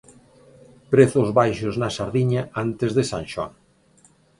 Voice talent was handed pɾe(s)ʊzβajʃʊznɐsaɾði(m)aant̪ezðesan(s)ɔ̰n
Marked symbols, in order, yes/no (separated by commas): no, no, no